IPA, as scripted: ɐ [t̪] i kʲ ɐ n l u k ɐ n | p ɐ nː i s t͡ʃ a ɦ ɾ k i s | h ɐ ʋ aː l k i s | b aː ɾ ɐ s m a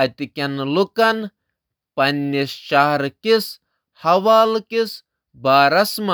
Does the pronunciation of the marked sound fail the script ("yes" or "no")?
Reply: no